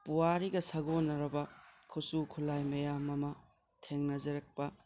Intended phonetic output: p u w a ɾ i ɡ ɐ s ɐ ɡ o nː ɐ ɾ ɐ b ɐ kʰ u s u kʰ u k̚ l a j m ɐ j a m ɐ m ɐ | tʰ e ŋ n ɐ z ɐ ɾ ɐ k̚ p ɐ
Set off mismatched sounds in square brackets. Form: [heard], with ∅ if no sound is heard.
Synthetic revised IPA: p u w a ɾ i ɡ ɐ s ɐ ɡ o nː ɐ ɾ ɐ b ɐ kʰ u s u kʰ u [∅] l a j m ɐ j a m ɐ m ɐ | tʰ e ŋ n ɐ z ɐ ɾ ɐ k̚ p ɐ